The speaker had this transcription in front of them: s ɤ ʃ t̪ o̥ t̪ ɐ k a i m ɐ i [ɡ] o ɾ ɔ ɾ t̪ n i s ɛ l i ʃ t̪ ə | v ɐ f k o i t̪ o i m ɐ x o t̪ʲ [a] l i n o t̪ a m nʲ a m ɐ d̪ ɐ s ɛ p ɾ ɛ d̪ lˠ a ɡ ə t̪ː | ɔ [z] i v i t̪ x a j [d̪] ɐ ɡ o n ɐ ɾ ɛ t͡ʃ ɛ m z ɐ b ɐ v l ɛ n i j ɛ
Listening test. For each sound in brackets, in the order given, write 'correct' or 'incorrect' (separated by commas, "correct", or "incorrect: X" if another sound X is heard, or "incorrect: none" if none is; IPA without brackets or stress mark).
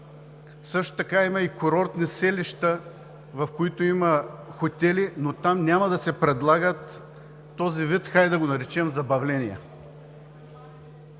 incorrect: k, incorrect: ɛ, correct, correct